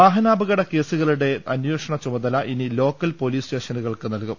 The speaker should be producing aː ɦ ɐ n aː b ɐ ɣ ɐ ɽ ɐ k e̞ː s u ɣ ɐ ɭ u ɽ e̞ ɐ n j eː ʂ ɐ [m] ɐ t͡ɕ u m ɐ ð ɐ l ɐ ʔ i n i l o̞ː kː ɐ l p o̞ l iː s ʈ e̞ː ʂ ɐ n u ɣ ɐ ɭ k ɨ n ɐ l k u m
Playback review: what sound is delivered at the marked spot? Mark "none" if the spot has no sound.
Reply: ɳ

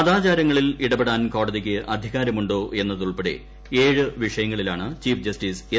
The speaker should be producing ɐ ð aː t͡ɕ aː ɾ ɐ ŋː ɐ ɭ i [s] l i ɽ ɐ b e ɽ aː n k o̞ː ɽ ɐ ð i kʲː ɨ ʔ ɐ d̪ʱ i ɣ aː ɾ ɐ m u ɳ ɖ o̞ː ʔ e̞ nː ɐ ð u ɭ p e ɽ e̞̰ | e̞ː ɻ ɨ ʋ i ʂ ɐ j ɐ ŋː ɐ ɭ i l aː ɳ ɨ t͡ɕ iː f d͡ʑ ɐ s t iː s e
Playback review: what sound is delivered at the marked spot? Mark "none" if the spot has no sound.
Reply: none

